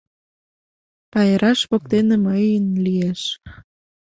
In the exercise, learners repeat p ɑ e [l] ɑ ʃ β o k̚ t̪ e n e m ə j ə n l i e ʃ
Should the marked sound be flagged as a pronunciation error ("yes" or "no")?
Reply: yes